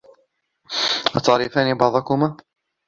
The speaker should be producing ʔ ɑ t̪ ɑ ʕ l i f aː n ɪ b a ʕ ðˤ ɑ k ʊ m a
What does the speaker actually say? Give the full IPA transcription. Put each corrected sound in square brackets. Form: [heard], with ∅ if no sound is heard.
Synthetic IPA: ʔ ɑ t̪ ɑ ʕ [ɾ] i f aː n [i] b [ɑ] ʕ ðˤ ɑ k ʊ m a

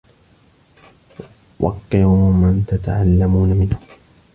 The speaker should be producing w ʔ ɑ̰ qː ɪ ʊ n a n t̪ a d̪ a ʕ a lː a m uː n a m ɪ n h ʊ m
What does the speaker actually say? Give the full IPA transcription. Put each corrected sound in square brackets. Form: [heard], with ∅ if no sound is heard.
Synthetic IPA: w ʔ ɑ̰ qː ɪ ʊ [m] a n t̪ a [t̪] a ʕ a lː a m uː n a m ɪ n h ʊ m

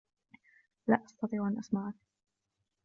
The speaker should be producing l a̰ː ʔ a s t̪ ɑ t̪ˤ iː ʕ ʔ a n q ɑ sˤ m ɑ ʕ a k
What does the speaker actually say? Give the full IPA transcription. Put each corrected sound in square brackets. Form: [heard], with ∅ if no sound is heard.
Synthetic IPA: l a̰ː ʔ [ɑ] s t̪ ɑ t̪ˤ iː ʕ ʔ a n [ʔ] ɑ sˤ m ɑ ʕ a k

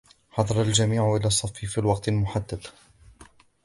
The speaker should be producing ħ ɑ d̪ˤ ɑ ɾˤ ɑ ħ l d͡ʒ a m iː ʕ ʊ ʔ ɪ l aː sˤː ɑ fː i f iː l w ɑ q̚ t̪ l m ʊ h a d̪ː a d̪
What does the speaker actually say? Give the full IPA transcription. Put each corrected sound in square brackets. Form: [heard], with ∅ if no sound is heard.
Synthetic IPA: ħ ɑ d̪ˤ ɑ ɾˤ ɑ [∅] l d͡ʒ a m iː ʕ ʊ ʔ ɪ l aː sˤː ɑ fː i f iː l w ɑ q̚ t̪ l m ʊ [ħ] a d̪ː a d̪

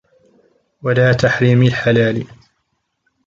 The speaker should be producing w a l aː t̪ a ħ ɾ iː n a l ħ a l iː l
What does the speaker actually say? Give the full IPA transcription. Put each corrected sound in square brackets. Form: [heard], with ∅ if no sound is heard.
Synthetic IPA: w a l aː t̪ a ħ ɾ iː [m] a l ħ a l [aː] l

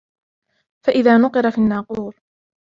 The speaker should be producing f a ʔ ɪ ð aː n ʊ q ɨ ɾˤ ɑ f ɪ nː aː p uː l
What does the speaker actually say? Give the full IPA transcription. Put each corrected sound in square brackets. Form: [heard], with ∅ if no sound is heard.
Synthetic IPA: f a ʔ ɪ ð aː n ʊ q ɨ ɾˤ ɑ f [i] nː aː [q] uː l

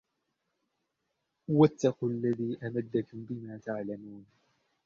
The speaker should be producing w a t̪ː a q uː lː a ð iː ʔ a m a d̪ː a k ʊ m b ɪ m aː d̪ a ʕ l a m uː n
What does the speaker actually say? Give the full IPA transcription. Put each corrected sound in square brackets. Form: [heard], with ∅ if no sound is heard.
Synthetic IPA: w a t̪ː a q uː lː a ð iː ʔ a m a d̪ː a k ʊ m b ɪ m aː [t̪] a ʕ l a m uː n

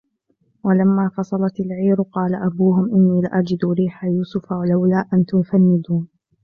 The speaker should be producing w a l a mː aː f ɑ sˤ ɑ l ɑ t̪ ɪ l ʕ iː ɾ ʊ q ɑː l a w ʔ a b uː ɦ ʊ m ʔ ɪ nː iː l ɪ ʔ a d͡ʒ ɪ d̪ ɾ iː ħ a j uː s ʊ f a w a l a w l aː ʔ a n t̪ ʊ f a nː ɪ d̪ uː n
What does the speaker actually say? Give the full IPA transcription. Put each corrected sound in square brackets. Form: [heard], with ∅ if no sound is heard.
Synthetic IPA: w a l a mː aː f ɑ sˤ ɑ l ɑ t̪ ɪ l ʕ iː ɾ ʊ q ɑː l a [∅] ʔ a b uː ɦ ʊ m ʔ ɪ nː iː l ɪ ʔ a d͡ʒ ɪ d̪ ɾ iː ħ a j uː s ʊ f a w a l a w l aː ʔ a n t̪ ʊ f a nː ɪ d̪ uː n

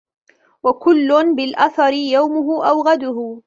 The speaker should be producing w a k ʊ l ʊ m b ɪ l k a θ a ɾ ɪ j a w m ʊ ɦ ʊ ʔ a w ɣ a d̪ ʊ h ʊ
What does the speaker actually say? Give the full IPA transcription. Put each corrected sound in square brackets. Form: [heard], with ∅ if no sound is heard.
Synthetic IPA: w a k ʊ [lː] ʊ [n] b ɪ l [ʔ] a θ [ɑ] ɾ ɪ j a w m ʊ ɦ ʊ ʔ a w ɣ a d̪ ʊ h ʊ

